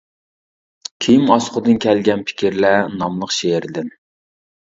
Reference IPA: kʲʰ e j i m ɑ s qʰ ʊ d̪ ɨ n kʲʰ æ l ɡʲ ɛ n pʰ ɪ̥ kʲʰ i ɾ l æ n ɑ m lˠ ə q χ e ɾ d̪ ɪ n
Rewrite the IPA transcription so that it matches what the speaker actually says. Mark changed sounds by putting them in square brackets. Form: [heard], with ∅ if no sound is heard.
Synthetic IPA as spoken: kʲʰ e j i m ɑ s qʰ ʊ d̪ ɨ n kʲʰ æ l ɡʲ ɛ n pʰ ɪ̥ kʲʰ i ɾ l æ n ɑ m lˠ ə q [ʃ] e ɾ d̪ ɪ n